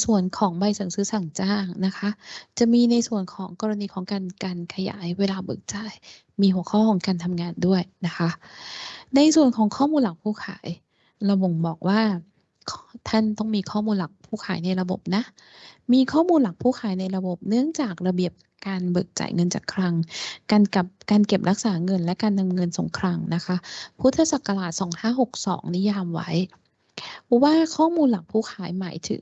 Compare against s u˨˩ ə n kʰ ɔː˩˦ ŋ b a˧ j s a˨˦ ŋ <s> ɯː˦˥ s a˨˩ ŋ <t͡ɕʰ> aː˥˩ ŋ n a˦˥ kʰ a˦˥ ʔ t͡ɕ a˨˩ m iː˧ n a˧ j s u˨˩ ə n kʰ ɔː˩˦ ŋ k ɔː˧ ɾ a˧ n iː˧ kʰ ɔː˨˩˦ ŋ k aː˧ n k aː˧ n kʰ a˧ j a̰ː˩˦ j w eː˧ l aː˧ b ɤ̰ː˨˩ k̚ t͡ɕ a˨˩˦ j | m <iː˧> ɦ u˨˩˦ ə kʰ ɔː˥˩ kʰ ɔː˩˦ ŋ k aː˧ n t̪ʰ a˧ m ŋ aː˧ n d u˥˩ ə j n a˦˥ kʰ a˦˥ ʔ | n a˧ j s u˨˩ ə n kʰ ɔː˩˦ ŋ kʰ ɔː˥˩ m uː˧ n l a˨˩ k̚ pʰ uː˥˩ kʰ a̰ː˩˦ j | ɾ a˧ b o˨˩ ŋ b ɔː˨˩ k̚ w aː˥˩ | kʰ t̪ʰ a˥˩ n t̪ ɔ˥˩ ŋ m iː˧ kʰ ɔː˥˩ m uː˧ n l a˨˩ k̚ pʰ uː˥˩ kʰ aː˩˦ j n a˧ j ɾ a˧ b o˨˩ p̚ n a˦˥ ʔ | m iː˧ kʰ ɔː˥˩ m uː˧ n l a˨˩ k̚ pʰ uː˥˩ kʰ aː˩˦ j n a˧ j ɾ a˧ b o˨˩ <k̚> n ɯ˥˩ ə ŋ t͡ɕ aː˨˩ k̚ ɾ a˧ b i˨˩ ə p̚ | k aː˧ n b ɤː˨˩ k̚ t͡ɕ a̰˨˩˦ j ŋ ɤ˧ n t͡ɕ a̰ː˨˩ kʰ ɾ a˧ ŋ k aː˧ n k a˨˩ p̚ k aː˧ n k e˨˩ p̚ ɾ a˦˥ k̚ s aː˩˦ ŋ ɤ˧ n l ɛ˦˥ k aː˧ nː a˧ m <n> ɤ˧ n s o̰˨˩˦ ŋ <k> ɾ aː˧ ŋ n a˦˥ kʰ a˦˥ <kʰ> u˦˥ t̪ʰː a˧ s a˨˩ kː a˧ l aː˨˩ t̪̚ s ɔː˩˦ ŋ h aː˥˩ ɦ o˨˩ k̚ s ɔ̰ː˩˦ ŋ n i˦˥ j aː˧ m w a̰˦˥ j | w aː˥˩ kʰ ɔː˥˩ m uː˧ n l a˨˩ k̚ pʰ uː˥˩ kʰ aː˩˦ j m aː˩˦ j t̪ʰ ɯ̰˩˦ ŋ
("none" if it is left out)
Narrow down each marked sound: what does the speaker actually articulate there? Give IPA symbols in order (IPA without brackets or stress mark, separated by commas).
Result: s, t͡ɕ, iː˧, p̚, ŋ, kʰ, pʰ